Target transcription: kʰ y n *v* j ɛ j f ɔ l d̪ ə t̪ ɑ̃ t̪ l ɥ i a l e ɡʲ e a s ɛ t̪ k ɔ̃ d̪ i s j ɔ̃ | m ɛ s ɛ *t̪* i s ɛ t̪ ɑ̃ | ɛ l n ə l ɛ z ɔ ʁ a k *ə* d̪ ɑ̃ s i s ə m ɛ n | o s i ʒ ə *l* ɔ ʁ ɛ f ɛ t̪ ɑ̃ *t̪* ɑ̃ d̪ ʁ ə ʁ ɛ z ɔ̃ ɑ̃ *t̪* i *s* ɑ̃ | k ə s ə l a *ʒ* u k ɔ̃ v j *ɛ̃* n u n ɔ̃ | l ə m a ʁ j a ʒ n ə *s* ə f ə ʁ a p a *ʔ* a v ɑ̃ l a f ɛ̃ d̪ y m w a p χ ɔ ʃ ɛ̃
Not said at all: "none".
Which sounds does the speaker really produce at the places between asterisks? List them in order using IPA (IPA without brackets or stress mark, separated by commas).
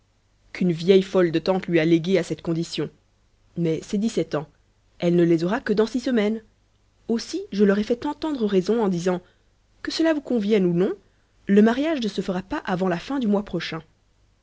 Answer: v, d̪, ə, l, t̪, d̪, z, v, ɛ, s, ʔ